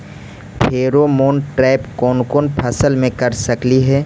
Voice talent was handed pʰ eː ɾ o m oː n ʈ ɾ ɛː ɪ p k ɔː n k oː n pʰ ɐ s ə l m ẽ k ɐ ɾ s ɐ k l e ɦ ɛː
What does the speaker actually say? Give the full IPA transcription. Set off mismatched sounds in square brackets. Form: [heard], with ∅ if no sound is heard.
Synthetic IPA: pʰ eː ɾ o m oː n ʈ ɾ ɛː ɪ p k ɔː n k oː n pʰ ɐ s ə l m ẽ k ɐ ɾ s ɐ k l [i] ɦ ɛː